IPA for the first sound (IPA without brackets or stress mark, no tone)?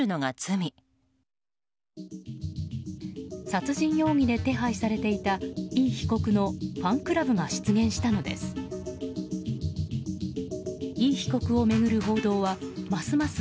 ɯ̟